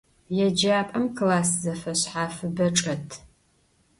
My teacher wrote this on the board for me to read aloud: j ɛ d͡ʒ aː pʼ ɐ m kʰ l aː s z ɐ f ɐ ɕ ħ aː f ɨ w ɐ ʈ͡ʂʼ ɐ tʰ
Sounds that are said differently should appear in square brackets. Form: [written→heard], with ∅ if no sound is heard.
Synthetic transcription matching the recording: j ɛ d͡ʒ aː pʼ ɐ m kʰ l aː s z ɐ f ɐ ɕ ħ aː f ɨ [w→b] ɐ ʈ͡ʂʼ ɐ tʰ